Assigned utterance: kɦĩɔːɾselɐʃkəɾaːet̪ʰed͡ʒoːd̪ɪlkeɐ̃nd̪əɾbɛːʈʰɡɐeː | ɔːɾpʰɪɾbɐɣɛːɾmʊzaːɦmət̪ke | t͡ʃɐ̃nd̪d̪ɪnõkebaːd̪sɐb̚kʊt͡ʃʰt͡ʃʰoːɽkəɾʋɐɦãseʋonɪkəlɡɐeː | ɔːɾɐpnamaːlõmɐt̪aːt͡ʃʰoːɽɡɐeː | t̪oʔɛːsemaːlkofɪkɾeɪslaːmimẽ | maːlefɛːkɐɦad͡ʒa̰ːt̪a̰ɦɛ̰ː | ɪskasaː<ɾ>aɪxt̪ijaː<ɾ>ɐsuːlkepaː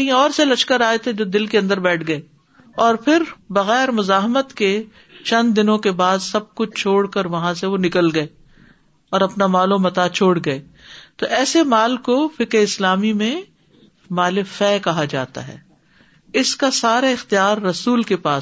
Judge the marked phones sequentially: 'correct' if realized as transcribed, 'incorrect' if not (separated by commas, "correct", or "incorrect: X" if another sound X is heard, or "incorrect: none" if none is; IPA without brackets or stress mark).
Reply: correct, incorrect: ɾː